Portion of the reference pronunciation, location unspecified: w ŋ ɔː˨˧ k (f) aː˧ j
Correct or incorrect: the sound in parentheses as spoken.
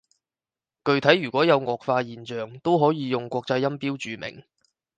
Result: correct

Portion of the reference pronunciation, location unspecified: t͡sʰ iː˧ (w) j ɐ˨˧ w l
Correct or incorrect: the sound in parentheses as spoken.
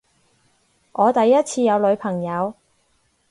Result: incorrect: none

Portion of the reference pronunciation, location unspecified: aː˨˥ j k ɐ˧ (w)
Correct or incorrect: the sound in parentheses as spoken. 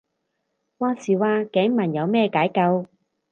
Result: correct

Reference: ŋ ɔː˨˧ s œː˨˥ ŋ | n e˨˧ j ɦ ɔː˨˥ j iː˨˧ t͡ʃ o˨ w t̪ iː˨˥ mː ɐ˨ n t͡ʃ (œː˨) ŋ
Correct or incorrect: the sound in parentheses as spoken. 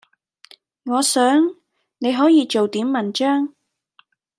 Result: incorrect: œː˥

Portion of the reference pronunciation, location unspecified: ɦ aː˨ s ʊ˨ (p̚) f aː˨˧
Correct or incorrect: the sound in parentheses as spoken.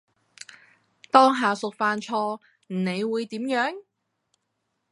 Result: incorrect: k̚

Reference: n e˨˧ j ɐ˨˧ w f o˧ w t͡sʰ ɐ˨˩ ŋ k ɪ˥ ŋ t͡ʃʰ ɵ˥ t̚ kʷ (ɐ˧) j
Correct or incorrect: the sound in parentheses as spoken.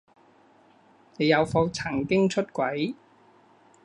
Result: incorrect: ɐ˨˥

